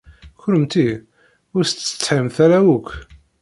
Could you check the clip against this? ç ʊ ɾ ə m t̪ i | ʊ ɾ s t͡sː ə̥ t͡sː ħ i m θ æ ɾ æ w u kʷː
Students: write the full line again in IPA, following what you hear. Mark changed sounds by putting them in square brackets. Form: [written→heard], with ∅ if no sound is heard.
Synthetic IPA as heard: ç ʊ ɾ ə m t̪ i | ʊ ɾ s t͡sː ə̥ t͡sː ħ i m θ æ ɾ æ w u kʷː